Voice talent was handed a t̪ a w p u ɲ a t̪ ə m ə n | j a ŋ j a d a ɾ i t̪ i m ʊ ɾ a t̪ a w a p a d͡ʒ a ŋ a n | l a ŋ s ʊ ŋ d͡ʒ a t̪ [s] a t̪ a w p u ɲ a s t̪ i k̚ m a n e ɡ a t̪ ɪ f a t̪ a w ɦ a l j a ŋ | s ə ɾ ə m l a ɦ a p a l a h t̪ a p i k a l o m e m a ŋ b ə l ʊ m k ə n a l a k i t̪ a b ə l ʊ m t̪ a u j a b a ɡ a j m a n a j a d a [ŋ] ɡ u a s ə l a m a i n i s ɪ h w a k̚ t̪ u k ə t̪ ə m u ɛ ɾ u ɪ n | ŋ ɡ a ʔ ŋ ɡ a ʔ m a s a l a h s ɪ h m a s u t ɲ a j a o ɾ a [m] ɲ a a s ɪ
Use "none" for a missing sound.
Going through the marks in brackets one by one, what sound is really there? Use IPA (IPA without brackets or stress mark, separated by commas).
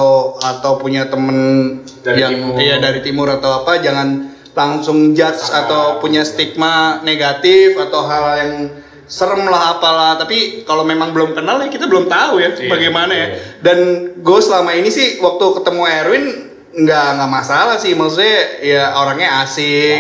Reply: s, n, ŋ